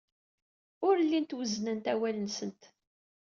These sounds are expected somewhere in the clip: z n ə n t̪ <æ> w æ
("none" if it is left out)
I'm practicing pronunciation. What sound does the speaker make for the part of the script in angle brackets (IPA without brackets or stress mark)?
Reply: æ